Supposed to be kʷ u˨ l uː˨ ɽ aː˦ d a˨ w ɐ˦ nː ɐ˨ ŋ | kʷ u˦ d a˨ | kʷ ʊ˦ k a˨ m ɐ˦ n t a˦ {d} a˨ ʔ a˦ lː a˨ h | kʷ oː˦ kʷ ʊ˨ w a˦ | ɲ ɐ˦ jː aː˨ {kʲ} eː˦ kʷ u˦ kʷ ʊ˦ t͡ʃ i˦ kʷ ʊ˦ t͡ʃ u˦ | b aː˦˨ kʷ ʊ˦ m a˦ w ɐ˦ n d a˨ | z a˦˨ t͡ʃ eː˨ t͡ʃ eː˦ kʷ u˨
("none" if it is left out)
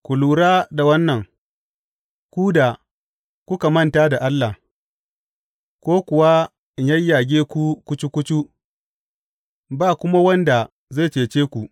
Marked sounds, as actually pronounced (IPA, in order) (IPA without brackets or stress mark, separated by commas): d, ɡʲ